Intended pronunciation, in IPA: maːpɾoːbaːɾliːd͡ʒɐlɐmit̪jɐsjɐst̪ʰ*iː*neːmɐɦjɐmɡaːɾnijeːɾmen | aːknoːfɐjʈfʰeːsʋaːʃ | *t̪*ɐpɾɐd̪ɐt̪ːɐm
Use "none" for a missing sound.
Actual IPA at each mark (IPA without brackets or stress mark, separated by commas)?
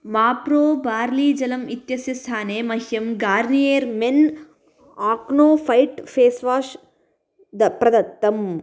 aː, d̪